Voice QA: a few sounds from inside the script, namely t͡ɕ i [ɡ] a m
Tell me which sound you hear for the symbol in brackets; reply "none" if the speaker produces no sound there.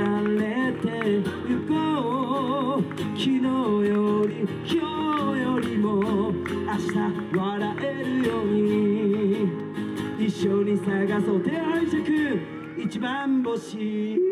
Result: b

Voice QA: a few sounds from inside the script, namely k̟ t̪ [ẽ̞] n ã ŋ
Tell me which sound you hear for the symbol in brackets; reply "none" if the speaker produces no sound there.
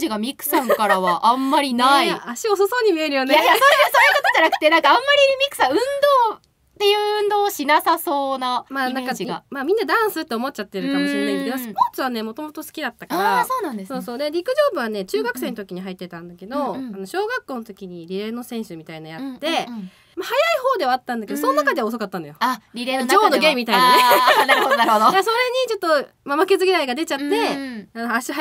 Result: e̞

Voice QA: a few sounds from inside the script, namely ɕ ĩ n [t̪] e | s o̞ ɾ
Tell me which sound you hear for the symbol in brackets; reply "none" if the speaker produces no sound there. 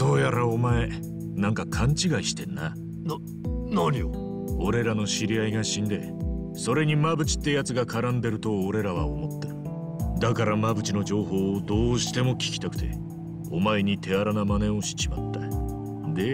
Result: d̪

